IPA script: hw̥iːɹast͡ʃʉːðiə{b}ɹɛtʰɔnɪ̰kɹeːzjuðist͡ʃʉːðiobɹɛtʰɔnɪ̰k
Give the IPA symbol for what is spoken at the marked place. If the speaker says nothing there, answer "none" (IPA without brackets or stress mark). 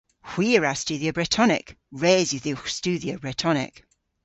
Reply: b